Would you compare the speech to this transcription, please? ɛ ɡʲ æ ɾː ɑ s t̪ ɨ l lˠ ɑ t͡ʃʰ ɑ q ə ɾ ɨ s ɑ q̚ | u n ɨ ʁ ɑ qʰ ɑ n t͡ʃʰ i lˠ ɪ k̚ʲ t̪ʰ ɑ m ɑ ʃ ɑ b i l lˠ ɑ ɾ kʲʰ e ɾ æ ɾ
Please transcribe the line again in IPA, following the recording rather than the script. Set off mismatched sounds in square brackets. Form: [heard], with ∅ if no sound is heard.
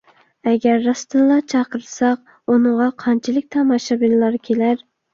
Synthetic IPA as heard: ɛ ɡʲ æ ɾː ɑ s t̪ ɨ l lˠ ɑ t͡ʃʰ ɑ q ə ɾ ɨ s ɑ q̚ | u n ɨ ʁ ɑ qʰ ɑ n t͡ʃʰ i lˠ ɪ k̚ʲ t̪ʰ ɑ m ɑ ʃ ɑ b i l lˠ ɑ ɾ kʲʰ e [l] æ ɾ